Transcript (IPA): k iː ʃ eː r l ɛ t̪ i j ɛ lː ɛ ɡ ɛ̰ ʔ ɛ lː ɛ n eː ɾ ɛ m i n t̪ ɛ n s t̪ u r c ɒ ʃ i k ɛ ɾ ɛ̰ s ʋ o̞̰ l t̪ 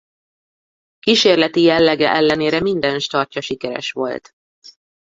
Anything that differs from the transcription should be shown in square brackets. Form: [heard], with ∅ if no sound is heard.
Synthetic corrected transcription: k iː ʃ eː r l ɛ t̪ i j ɛ lː ɛ ɡ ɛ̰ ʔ ɛ lː ɛ n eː ɾ ɛ m i n [d̪] ɛ n [ʃ] t̪ [ɒ] r c ɒ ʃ i k ɛ ɾ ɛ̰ [ʃ] ʋ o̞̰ l t̪